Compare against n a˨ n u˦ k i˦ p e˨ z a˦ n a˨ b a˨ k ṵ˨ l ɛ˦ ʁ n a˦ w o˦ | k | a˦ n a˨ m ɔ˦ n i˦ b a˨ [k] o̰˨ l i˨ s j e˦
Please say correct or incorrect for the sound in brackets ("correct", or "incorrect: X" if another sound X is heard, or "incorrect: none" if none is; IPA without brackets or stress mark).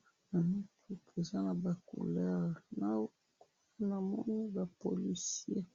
incorrect: p